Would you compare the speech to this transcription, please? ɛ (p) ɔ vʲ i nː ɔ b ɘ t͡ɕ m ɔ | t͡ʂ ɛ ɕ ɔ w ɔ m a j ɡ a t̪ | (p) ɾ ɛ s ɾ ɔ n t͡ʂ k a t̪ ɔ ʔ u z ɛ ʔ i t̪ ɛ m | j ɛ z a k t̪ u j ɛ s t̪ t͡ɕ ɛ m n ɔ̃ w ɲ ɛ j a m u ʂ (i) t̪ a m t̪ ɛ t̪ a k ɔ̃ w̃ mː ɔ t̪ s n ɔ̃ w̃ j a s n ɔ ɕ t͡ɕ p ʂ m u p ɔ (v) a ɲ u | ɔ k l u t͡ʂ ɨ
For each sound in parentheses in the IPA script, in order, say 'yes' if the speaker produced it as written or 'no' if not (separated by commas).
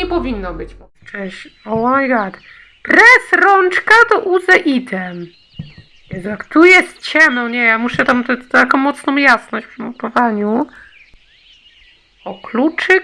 yes, yes, no, yes